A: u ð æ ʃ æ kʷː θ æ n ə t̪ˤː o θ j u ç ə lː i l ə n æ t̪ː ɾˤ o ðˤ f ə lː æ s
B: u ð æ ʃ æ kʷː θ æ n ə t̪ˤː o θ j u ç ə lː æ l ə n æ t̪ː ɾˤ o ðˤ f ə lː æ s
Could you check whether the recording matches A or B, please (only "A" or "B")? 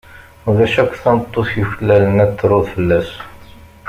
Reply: B